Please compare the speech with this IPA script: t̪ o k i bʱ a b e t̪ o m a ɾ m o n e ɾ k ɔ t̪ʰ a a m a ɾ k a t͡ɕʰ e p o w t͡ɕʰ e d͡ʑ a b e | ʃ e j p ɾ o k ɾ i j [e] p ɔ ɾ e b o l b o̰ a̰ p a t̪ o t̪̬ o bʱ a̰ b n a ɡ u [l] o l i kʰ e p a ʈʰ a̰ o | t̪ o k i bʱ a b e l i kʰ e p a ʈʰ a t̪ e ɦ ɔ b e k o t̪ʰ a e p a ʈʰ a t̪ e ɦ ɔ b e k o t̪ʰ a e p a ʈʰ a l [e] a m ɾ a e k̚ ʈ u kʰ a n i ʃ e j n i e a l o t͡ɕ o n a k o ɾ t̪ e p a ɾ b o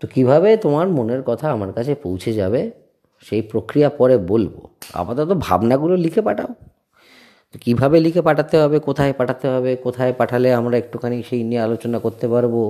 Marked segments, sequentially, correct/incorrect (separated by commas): incorrect, correct, correct